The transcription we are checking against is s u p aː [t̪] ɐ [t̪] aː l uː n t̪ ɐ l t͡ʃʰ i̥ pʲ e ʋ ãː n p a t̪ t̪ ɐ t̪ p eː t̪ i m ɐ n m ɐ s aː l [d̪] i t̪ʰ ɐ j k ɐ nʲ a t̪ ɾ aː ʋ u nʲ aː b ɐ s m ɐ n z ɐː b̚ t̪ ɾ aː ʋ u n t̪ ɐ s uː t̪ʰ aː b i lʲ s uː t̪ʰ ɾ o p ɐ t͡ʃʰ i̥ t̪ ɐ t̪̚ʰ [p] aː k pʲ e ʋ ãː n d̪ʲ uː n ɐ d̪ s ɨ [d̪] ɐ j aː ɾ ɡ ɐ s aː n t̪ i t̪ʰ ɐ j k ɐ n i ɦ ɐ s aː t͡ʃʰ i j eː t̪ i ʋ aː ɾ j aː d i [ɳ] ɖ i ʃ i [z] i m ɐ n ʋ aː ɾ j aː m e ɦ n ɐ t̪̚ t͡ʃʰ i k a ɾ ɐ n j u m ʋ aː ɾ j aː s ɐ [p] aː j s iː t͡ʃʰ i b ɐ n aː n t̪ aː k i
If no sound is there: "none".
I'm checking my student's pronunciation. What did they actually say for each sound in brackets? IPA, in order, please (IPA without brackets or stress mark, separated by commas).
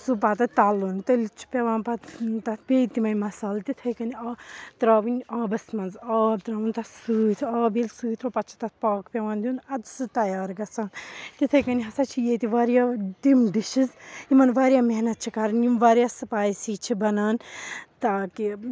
t̪, t̪, t̪, p, t̪, m, z, p